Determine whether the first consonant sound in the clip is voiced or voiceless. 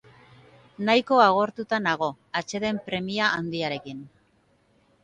voiced